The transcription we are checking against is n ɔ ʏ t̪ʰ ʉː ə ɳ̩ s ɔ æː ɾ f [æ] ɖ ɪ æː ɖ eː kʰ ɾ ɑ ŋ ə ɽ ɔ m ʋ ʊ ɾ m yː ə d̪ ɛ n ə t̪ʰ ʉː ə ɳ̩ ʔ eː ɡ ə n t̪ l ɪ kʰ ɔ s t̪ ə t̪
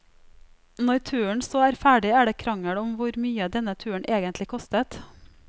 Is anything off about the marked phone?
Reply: yes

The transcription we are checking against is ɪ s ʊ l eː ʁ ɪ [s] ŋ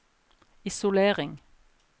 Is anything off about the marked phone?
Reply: yes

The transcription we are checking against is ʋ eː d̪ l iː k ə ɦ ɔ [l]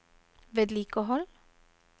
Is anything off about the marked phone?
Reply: no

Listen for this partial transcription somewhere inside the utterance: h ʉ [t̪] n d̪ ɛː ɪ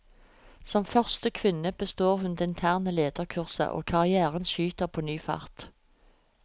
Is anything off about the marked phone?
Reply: yes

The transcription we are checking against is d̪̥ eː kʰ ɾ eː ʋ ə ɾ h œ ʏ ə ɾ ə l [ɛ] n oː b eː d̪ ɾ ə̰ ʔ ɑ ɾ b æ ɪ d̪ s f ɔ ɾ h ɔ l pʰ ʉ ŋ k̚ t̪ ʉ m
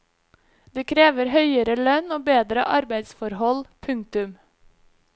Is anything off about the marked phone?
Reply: yes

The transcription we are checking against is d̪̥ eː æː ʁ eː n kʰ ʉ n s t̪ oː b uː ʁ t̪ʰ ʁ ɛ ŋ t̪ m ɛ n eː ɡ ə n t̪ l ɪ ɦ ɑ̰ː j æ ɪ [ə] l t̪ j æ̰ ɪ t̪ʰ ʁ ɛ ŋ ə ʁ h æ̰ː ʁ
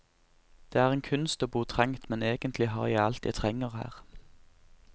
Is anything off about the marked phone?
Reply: yes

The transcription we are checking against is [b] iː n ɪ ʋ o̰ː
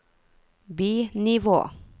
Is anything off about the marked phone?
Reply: no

